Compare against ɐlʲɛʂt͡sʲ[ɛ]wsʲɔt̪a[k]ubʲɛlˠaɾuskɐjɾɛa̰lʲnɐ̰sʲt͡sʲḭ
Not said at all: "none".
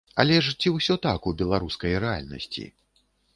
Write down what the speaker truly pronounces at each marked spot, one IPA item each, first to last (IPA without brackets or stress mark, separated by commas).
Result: i, k